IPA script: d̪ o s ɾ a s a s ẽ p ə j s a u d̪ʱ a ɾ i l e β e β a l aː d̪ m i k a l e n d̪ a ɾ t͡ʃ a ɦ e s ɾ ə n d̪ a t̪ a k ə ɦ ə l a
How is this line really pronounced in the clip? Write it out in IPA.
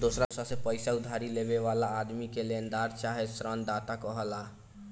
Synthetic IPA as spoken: d̪ o s ɾ a s a s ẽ p ə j s a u d̪ʱ a ɾ i l e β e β a l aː d̪ m i k e l e n d̪ a ɾ t͡ʃ a ɦ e s ɾ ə n d̪ a t̪ a k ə ɦ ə l a